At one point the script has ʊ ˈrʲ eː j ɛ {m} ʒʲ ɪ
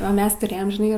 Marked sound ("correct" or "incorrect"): correct